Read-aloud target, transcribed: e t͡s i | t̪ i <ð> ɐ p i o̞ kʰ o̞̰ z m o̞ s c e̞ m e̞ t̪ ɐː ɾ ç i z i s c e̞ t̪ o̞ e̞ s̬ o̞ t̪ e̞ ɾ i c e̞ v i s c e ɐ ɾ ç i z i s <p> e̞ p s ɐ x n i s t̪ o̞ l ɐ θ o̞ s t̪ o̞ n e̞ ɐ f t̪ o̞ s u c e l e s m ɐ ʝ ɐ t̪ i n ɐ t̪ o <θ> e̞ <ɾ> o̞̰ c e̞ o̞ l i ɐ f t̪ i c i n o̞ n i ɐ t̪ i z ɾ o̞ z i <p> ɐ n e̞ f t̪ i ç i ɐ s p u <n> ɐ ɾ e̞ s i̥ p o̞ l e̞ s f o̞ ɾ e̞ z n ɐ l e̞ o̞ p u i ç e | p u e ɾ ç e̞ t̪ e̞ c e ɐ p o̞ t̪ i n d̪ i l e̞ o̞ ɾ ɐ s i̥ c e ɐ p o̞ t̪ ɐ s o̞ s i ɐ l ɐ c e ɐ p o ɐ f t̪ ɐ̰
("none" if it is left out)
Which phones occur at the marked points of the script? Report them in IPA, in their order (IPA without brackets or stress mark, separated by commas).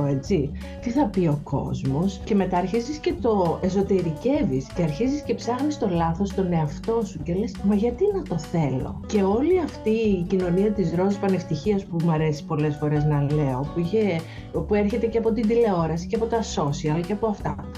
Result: θ, c, θ, l, p, m